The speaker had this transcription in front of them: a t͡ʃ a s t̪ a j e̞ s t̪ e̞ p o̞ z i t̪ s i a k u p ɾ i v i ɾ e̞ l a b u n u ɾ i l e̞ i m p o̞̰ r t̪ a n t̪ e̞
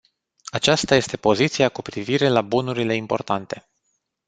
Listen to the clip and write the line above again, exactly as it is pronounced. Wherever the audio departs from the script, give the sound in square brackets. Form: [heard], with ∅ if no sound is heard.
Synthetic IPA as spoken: a t͡ʃ a s t̪ a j e̞ s t̪ e̞ p o̞ z i t̪ s i a k u p ɾ i v i ɾ e̞ l a b u n u ɾ i l e̞ i m p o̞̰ r t̪ a n t̪ e̞